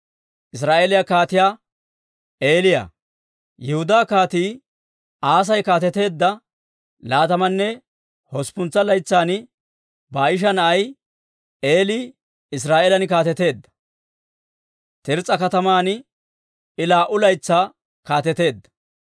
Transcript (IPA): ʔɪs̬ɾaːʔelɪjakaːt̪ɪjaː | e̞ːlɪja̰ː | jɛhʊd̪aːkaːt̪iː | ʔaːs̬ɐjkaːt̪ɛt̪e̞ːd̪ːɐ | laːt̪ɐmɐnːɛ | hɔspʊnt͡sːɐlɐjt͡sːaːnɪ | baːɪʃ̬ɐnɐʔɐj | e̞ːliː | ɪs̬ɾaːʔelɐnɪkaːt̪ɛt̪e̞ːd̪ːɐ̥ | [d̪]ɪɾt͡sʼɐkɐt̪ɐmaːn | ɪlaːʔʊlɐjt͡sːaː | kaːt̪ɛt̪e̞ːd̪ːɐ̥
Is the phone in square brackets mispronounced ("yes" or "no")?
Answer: yes